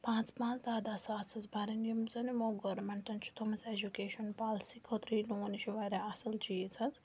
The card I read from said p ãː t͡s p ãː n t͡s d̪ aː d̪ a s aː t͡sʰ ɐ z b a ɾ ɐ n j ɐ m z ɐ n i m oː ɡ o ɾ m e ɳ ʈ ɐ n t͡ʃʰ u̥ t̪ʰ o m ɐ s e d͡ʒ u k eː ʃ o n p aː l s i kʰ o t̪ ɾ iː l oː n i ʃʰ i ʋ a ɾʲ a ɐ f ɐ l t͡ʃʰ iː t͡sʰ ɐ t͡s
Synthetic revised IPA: p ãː t͡s p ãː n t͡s d̪ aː d̪ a s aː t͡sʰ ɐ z b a ɾ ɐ n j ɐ m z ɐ n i m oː ɡ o ɾ m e ɳ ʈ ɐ n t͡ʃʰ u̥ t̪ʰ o m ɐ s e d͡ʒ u k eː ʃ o n p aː l s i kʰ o t̪ ɾ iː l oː n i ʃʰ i ʋ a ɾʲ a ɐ s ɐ l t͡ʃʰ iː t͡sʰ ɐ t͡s